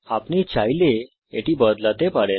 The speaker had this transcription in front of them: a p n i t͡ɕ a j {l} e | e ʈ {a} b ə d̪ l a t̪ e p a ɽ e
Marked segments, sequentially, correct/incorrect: correct, incorrect: i

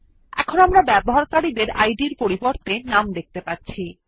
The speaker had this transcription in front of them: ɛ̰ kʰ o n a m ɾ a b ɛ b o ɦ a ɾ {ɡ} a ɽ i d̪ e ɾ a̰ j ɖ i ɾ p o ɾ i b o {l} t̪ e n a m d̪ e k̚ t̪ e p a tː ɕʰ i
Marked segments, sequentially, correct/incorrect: incorrect: k, incorrect: ɾ

